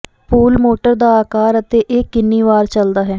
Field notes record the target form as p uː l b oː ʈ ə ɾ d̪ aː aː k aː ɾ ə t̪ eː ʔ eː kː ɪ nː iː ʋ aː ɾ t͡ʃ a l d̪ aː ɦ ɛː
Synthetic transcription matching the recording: p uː l m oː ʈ ə ɾ d̪ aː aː k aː ɾ ə t̪ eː ʔ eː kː ɪ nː iː ʋ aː ɾ t͡ʃ ə l d̪ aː ɦ ɛː